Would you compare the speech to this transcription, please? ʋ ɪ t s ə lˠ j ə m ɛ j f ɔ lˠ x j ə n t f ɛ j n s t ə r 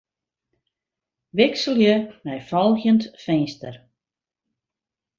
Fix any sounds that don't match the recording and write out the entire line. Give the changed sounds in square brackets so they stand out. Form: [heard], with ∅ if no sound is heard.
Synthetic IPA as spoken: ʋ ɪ [k] s ə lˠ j ə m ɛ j f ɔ lˠ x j ə n t f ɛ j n s t ə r